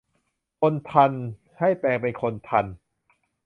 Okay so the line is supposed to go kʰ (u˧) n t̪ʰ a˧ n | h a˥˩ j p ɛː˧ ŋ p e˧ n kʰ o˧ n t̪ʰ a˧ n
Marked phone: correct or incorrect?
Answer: incorrect: o˧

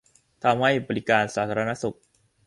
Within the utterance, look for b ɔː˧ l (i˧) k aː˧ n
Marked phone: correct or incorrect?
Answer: incorrect: i˦˥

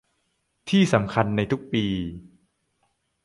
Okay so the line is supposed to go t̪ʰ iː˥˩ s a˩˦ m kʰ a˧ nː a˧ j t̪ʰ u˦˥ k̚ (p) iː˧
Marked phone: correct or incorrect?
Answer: correct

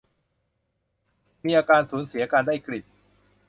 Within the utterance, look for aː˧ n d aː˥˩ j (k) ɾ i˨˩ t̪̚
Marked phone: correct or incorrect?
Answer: correct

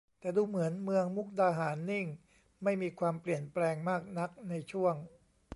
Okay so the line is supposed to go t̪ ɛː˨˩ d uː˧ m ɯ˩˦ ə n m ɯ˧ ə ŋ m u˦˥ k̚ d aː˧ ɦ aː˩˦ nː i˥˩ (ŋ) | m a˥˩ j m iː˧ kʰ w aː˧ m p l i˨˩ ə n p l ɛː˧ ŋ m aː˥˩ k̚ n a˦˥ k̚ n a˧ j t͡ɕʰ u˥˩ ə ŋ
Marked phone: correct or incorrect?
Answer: correct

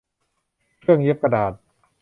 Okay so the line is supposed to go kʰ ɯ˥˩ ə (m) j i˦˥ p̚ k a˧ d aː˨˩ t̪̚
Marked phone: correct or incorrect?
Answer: incorrect: ŋ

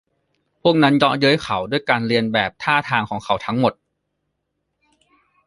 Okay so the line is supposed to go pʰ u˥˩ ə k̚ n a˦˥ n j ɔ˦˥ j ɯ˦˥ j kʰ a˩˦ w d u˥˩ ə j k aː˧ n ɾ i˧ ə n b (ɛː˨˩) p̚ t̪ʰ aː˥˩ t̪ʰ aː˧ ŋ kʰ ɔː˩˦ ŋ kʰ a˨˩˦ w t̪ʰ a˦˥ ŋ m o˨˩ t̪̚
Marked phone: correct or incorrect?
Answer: correct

